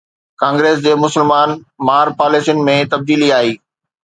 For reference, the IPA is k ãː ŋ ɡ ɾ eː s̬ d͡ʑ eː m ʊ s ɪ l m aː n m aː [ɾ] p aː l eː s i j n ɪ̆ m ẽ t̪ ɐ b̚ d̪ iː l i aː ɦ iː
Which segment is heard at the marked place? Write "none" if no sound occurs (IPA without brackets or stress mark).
ɾ